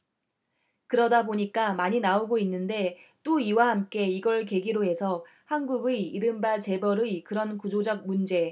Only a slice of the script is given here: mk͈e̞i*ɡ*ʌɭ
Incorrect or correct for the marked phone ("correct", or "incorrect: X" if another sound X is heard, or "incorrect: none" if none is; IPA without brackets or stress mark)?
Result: correct